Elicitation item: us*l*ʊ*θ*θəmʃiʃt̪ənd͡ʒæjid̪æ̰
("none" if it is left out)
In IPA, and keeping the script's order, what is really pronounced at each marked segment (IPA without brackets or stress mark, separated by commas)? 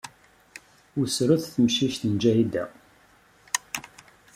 ɾ, θ